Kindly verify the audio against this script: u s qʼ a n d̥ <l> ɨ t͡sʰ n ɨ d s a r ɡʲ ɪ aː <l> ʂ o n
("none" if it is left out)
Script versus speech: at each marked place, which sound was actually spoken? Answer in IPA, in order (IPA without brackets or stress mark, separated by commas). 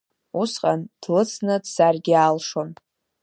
l, l